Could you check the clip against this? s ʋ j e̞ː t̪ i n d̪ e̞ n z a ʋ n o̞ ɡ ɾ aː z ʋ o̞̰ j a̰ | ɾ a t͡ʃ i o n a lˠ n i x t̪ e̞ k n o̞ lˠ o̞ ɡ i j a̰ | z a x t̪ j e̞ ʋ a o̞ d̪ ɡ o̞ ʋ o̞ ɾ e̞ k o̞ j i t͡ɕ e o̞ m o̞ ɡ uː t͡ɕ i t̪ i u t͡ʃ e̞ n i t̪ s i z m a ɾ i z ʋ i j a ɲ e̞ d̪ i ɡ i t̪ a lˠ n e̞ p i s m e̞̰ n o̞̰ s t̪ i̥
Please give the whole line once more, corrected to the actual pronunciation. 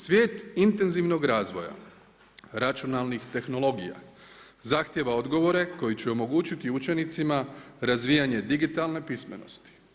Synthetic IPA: s ʋ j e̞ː t̪ i n t̪ e̞ n z i ʋ n o̞ ɡ ɾ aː z ʋ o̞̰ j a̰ | ɾ a t͡ʃ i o n a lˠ n i x t̪ e̞ x n o̞ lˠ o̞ ɡ i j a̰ | z a x t̪ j e̞ ʋ a o̞ d̪ ɡ o̞ ʋ o̞ ɾ e̞ k o̞ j i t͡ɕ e o̞ m o̞ ɡ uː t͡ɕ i t̪ i u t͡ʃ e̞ n i t̪ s i m a ɾ a z ʋ i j a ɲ e̞ d̪ i ɡ i t̪ a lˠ n e̞ p i s m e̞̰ n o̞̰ s t̪ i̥

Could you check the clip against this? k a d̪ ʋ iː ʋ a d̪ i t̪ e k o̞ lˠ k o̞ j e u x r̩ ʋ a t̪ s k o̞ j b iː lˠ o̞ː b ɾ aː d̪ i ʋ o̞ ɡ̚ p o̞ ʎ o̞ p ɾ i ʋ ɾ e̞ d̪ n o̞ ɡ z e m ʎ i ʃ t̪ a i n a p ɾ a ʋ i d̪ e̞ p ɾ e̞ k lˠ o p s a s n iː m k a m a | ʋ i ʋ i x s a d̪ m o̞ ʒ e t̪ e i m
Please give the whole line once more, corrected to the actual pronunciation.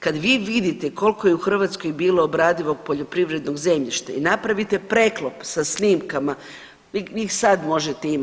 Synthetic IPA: k a d̪ ʋ iː ʋ i d̪ i t̪ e k o̞ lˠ k o̞ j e u x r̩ ʋ a t̪ s k o̞ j b iː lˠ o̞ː b ɾ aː d̪ i ʋ o̞ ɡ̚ p o̞ ʎ o̞ p ɾ i ʋ ɾ e̞ d̪ n o̞ ɡ z e m ʎ i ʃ t̪ a i n a p ɾ a ʋ i t̪ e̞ p ɾ e̞ k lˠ o p s a s n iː m k a m a | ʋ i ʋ i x s a d̪ m o̞ ʒ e t̪ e i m

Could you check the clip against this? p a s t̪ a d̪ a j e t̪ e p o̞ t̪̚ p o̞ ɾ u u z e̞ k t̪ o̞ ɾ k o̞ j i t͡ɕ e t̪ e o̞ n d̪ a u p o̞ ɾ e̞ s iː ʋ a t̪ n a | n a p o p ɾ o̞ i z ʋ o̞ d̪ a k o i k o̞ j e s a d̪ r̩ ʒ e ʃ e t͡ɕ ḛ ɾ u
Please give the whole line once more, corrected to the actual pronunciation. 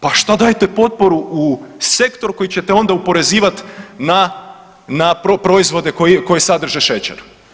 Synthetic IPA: p a ʃ t̪ a d̪ a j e t̪ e p o̞ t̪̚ p o̞ ɾ u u s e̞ k t̪ o̞ ɾ k o̞ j i t͡ɕ e t̪ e o̞ n d̪ a u p o̞ ɾ e̞ z iː ʋ a t̪ n a | n a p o p ɾ o̞ i z ʋ o̞ d̪ e k o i k o̞ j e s a d̪ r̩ ʒ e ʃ e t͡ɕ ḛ ɾ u

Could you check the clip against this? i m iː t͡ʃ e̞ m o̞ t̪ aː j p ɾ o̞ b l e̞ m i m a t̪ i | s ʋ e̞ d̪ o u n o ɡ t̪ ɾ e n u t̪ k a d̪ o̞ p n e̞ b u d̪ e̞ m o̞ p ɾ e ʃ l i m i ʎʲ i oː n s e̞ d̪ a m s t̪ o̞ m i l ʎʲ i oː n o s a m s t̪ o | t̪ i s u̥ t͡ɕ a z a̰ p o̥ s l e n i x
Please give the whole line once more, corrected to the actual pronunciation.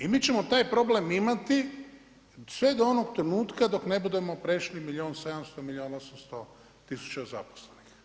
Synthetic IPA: i m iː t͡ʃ e̞ m o̞ t̪ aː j p ɾ o̞ b l e̞ m i m a t̪ i | s ʋ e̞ d̪ o o n o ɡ t̪ ɾ e n uː t̪ k a d̪ o̞ k n e̞ b u d̪ e̞ m o̞ p ɾ e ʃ l i m i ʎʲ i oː n s e̞ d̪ a m s t̪ o̞ m i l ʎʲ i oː n o s a m s t̪ o | t̪ i s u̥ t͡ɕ a z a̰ p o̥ s l e n i x

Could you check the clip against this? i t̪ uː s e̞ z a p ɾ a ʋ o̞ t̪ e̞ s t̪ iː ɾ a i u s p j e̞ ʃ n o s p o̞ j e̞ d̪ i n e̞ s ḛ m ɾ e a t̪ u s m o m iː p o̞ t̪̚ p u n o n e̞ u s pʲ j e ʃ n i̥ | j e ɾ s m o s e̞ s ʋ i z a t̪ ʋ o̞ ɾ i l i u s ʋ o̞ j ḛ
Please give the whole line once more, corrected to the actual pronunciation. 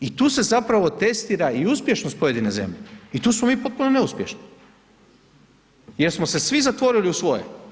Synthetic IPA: i t̪ uː s e̞ z a p ɾ a ʋ o̞ t̪ e̞ s t̪ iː ɾ a i u s p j e̞ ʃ n o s p o̞ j e̞ d̪ i n e̞ z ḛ m ʎ e i t̪ uː s m o m iː p o̞ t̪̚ p u n o n e̞ u s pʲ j e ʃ n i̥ | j e ɾ s m o s e̞ s ʋ i z a t̪ ʋ o̞ ɾ i l i u s ʋ o̞ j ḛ

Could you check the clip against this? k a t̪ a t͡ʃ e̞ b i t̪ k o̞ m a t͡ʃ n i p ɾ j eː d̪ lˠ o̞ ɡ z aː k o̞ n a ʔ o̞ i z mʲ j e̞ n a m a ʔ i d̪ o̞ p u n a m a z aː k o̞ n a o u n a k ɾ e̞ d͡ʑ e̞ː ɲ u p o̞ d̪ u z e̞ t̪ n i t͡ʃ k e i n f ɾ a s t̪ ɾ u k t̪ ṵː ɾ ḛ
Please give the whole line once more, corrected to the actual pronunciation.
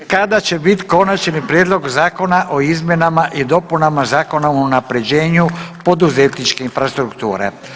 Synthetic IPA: k a d̪ a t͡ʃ e̞ b i t̪ k o̞ n a t͡ʃ n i p ɾ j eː d̪ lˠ o̞ ɡ z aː k o̞ n a ʔ o̞ i z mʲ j e̞ n a m a ʔ i d̪ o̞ p u n a m a z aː k o̞ n a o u n a p ɾ e̞ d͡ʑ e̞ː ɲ u p o̞ d̪ u z e̞ t̪ n i t͡ʃ k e i n f ɾ a s t̪ ɾ u k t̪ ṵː ɾ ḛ

